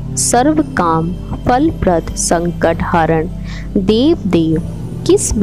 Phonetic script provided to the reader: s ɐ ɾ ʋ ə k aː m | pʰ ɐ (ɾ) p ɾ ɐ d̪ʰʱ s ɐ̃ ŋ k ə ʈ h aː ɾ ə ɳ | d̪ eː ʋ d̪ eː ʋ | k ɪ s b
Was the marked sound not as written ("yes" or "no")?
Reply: yes